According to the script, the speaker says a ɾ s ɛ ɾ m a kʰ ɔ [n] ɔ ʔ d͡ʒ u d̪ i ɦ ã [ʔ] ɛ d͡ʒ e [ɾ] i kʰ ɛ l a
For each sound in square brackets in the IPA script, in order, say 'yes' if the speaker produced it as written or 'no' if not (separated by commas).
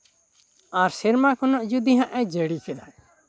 yes, yes, no